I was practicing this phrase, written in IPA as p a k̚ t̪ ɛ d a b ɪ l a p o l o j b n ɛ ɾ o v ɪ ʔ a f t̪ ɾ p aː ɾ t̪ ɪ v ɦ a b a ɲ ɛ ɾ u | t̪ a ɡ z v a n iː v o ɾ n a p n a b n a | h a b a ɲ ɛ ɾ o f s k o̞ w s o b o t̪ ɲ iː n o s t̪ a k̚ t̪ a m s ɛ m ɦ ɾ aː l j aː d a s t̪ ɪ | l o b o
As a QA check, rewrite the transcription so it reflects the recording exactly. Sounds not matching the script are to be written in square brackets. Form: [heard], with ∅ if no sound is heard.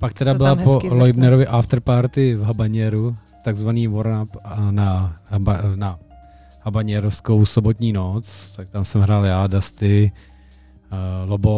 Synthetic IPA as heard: p a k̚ t̪ ɛ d a b ɪ l a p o l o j b n ɛ ɾ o v ɪ ʔ a f t̪ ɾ p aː ɾ t̪ ɪ v ɦ a b a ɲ ɛ ɾ u | t̪ a ɡ z v a n iː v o ɾ n a p n a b n a | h a b a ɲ ɛ ɾ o f s k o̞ w s o b o t̪ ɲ iː n o [t͡s] t̪ a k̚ t̪ a m s ɛ m ɦ ɾ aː l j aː d a s t̪ ɪ | l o b o